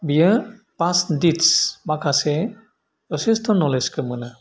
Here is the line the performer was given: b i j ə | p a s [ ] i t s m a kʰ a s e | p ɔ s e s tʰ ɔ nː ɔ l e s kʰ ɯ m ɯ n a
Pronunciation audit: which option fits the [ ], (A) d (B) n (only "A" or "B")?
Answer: A